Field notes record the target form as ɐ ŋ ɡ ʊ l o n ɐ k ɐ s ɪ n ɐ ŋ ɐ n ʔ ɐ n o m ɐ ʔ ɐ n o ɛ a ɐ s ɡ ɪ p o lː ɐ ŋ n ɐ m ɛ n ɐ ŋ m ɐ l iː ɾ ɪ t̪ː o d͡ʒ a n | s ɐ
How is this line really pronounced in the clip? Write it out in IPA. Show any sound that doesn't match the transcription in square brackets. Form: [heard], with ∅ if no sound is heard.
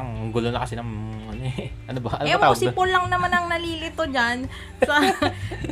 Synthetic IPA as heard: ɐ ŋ ɡ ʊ l o n ɐ k ɐ s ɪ n ɐ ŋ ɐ n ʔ ɐ n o [b] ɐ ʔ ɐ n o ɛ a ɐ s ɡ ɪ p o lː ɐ ŋ n ɐ m [a] n ɐ ŋ [n] ɐ l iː [l] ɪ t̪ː o d͡ʒ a n | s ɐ